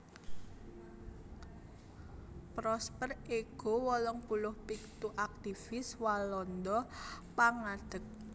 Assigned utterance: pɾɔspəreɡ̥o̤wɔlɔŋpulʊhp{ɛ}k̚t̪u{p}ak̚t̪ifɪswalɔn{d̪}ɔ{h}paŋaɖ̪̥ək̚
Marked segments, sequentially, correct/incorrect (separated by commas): incorrect, incorrect, correct, incorrect